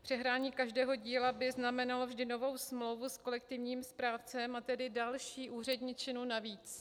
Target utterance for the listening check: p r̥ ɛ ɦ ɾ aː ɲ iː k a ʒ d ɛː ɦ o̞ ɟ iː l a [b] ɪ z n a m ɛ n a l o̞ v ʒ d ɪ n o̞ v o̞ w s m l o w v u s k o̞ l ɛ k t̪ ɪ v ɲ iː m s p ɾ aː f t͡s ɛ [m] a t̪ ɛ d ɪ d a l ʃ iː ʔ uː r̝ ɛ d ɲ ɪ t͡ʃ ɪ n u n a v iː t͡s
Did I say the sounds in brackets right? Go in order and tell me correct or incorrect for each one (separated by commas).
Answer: correct, correct